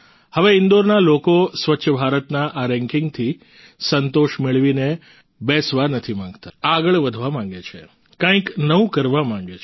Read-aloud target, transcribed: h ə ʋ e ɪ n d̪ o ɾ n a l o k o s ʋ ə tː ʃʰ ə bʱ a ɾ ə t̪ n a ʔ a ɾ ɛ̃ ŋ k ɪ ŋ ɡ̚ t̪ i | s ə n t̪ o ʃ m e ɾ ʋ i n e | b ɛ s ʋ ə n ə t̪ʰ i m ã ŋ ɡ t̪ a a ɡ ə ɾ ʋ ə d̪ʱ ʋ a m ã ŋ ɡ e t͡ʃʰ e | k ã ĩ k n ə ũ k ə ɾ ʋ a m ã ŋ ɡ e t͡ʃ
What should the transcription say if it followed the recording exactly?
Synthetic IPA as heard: h ə ʋ e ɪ n d̪ o ɾ n a l o k o s ʋ ə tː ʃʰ ə bʱ a ɾ ə t̪ n a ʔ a ɾ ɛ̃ ŋ k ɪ ŋ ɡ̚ t̪ʰ i | s ə n t̪ o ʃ m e ɭ ʋ i n e | b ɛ s ʋ a n ə t̪ʰ i m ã ŋ ɡ t̪ a a ɡ ə ɭ ʋ ə d̪ʱ ʋ a m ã ŋ ɡ e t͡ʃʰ e | k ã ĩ k n ə ũ k ə ɾ ʋ a m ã ŋ ɡ e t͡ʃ